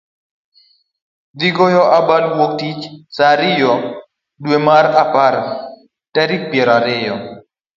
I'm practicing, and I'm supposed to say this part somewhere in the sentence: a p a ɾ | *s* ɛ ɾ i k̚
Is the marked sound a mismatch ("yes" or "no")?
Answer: yes